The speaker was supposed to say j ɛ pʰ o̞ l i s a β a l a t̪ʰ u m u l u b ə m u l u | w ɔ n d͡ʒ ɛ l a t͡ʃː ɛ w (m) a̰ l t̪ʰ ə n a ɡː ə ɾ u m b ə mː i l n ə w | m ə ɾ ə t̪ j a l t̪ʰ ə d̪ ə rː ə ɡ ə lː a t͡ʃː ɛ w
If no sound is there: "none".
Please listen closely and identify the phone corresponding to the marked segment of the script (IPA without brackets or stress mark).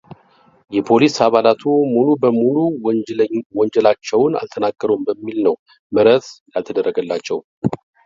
n